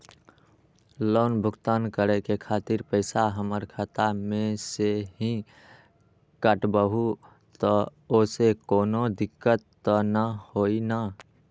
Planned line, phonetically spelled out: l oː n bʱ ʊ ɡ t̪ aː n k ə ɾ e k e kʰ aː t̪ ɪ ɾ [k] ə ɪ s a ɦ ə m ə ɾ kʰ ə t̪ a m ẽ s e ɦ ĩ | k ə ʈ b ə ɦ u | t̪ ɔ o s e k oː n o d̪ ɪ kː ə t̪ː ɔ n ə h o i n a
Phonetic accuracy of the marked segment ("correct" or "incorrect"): incorrect